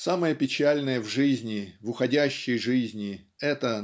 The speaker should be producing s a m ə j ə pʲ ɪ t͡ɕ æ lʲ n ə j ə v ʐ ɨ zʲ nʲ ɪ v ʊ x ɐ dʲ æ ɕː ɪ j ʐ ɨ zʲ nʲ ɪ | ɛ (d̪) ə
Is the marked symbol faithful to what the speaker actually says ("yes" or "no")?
no